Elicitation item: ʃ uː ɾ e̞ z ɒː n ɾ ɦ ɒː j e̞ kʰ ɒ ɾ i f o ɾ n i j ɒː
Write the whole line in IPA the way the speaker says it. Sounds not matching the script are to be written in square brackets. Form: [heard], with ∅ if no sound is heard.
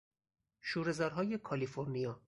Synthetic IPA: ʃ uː ɾ e̞ z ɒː [∅] ɾ ɦ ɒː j e̞ kʰ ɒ [l] i f o ɾ n i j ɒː